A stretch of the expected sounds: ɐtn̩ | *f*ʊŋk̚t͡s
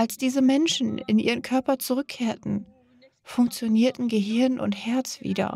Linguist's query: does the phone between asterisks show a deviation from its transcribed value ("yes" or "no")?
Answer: no